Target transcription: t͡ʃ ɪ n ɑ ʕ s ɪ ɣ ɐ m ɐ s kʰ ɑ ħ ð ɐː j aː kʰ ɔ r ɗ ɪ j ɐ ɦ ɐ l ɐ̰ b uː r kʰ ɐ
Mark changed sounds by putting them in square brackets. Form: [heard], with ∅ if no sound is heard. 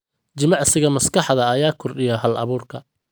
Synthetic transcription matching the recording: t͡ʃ ɪ [m] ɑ ʕ s ɪ ɣ ɐ m ɐ s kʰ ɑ ħ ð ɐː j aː kʰ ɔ r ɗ ɪ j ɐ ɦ ɐ l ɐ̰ [β] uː r kʰ ɐ